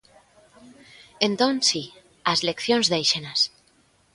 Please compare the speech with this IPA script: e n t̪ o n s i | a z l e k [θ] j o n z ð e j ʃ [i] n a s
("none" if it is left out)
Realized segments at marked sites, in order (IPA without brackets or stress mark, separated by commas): θ, e